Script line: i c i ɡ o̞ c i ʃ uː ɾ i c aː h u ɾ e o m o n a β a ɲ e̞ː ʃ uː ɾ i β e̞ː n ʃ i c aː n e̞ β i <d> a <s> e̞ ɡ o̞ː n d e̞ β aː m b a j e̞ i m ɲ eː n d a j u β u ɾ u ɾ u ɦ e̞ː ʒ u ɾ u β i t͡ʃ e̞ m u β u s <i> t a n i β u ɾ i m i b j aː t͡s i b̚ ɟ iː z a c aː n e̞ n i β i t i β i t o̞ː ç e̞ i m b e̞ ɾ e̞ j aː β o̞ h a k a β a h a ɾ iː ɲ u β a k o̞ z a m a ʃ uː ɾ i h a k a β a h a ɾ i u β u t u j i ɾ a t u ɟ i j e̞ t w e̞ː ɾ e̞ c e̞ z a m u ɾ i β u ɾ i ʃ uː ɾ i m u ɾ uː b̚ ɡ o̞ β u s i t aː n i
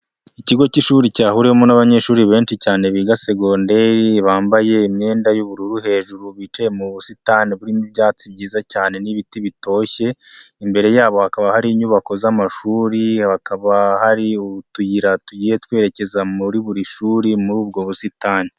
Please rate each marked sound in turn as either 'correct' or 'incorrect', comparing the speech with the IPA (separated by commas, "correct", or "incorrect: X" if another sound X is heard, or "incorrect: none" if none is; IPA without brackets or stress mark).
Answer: incorrect: ɡ, correct, correct